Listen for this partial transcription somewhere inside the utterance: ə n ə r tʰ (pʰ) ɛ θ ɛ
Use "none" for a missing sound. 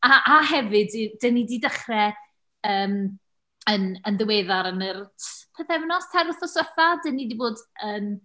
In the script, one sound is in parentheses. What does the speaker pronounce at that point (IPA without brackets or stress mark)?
pʰ